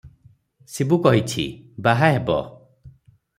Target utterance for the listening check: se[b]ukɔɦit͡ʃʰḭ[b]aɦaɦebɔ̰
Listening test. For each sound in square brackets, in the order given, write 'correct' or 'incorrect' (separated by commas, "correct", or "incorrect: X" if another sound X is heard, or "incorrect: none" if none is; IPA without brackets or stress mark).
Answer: correct, correct